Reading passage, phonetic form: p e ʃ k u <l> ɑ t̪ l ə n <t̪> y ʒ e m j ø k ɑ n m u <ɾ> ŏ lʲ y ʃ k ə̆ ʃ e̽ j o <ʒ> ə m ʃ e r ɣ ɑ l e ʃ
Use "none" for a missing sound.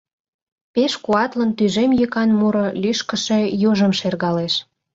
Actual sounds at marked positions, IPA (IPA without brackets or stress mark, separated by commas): none, t̪, ɾ, ʒ